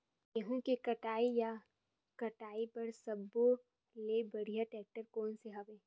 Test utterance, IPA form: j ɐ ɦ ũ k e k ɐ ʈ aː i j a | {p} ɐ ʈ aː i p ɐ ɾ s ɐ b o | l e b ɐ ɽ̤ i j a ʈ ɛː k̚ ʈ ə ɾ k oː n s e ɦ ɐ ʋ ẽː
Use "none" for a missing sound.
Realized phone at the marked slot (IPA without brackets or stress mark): k